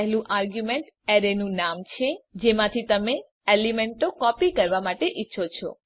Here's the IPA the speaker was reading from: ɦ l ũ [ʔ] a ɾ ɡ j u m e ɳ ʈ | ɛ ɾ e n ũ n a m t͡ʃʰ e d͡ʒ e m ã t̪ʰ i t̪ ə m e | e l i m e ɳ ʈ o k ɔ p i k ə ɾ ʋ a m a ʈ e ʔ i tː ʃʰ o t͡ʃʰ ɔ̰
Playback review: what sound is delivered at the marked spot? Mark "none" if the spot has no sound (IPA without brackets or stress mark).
ʔ